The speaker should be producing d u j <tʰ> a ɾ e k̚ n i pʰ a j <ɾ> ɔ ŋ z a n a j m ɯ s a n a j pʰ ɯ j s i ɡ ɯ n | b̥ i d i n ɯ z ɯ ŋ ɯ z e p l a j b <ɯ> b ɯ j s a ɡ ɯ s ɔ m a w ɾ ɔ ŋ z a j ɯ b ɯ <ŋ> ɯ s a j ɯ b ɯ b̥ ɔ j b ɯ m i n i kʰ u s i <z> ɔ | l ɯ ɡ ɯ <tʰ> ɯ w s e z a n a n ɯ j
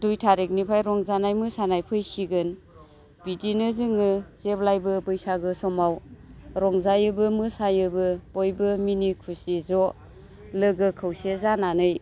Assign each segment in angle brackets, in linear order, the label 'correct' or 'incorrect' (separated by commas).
correct, correct, correct, incorrect, correct, incorrect